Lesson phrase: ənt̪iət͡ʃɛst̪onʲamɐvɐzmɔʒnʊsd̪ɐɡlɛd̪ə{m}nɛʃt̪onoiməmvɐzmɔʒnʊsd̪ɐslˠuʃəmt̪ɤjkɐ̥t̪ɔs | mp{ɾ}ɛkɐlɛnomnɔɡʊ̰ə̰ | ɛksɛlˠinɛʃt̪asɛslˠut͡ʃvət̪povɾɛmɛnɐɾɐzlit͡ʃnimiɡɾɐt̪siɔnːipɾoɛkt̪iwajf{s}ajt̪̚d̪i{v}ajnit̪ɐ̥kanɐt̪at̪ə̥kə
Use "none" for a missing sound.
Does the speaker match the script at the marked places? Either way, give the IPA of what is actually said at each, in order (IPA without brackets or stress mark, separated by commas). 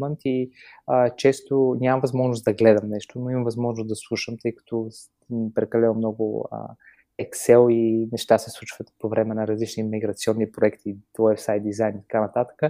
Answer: m, ɾ, s, z